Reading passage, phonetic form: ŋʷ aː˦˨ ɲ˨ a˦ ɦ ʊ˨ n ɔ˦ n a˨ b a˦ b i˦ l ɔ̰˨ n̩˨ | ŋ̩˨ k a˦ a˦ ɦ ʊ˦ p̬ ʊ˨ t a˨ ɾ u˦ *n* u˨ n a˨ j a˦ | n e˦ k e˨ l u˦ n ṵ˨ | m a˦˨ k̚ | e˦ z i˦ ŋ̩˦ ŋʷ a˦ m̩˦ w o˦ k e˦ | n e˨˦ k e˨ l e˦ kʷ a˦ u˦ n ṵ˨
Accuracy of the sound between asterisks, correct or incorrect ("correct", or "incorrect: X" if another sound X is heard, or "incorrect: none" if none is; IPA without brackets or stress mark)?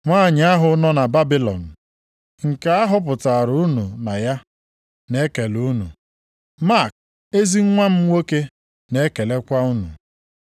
correct